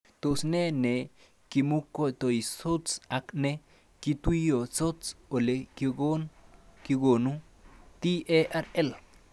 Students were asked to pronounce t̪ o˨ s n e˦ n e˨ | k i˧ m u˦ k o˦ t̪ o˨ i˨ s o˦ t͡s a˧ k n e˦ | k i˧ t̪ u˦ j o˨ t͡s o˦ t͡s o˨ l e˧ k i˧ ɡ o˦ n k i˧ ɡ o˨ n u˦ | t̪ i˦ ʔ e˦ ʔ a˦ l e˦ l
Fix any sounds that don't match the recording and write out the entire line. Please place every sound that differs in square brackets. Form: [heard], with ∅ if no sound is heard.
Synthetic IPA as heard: t̪ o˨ s n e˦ n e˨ | k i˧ m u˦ k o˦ t̪ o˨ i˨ s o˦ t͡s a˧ k n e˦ | k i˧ t̪ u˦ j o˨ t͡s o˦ t͡s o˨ l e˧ k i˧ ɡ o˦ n k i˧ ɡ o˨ n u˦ | t̪ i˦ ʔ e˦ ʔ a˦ [ɾ] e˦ l